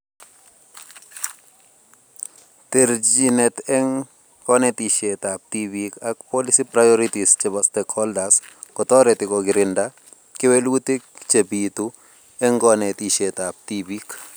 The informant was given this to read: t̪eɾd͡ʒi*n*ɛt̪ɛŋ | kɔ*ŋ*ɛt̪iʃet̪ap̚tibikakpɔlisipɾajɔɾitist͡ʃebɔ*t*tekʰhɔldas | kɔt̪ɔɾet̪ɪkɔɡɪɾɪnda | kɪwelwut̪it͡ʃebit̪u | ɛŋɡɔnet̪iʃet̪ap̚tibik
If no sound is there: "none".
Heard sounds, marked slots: n, n, s

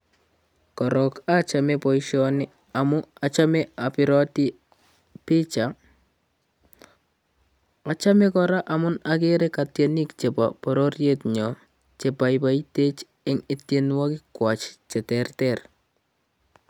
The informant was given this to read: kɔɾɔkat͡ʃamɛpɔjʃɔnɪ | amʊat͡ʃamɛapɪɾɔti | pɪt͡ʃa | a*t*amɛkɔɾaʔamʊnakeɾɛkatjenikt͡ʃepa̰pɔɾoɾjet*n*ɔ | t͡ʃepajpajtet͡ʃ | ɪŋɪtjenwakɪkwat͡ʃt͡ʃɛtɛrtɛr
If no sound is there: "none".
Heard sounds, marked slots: t͡ʃ, ɲ

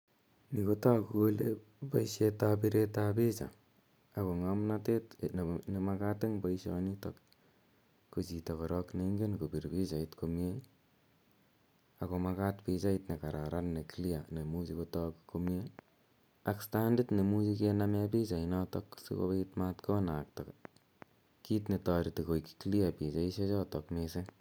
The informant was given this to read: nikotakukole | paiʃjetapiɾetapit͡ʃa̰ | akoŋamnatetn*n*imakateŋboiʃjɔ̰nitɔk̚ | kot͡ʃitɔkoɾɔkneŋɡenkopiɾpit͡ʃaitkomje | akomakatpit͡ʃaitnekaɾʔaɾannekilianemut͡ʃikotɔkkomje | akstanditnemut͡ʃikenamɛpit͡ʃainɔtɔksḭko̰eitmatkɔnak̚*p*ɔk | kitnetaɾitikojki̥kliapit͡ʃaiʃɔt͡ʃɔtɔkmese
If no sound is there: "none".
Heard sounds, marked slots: n, t

